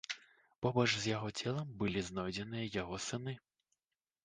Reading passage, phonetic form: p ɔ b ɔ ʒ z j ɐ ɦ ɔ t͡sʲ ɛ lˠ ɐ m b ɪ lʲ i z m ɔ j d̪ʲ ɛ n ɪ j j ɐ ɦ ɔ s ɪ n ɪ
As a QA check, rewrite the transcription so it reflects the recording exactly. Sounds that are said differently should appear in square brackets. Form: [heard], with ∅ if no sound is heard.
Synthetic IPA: p ɔ b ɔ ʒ z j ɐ ɦ ɔ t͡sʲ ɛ lˠ ɐ m b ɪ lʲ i z [n] ɔ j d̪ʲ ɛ n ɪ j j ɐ ɦ ɔ s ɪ n ɪ